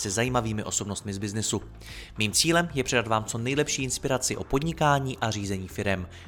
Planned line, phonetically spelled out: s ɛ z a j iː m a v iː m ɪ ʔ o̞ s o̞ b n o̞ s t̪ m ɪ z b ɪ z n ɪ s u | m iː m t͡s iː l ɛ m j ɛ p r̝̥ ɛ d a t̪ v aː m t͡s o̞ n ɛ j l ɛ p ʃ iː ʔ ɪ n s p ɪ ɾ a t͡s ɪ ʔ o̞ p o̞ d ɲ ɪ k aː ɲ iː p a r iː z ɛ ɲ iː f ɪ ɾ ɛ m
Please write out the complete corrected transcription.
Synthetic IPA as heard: s ɛ z a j iː m a v iː m ɪ ʔ o̞ s o̞ b n o̞ s t̪ m ɪ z b ɪ z n ɪ s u | m iː m t͡s iː l ɛ m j ɛ p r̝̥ ɛ d a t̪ v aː m t͡s o̞ n ɛ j l ɛ p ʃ iː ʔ ɪ n s p ɪ ɾ a t͡s ɪ ʔ o̞ p o̞ d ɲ ɪ k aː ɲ iː ʔ a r iː z ɛ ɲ iː f ɪ ɾ ɛ m